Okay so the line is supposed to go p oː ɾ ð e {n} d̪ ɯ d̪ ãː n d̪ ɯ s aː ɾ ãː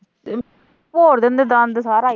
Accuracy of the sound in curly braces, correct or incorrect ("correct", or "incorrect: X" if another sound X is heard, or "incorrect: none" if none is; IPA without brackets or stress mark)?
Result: correct